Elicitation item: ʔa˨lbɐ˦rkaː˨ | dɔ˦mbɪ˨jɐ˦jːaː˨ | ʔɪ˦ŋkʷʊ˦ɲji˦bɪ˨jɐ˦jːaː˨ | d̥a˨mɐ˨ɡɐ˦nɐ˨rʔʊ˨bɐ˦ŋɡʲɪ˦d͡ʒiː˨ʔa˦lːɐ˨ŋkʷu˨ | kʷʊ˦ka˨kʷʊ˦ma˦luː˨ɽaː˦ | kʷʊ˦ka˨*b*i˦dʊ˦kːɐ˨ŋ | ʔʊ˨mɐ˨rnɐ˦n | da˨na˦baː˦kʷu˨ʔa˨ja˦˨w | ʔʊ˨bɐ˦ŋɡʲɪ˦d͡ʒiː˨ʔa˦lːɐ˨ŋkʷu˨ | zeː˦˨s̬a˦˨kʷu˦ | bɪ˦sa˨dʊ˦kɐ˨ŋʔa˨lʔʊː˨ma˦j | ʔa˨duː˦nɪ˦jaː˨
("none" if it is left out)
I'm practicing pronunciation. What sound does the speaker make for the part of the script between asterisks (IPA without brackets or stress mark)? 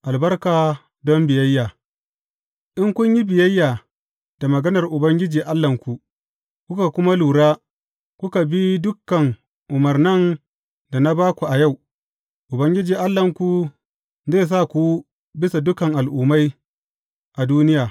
b